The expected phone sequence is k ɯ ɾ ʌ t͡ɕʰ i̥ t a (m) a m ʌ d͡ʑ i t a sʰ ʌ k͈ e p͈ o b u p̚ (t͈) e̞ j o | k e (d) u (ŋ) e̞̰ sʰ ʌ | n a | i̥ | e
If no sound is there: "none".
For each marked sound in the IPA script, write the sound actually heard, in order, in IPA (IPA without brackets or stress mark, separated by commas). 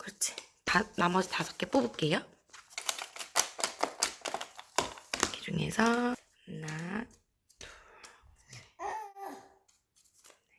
n, k͈, d͡ʑ, ŋ